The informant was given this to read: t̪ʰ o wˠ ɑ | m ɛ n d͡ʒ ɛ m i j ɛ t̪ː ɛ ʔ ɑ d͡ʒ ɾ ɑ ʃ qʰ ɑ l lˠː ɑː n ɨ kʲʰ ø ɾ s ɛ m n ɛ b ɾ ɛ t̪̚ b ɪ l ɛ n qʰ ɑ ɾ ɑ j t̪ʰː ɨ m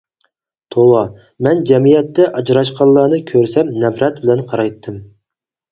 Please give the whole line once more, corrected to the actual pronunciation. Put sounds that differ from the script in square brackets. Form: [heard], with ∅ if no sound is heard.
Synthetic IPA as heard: t̪ʰ o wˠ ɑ | m ɛ n d͡ʒ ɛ m i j ɛ t̪ː ɛ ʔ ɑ d͡ʒ ɾ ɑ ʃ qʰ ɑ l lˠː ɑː n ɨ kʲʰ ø ɾ s ɛ m n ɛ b ɾ ɛ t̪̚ b ɪ l ɛ n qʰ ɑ ɾ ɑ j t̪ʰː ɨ m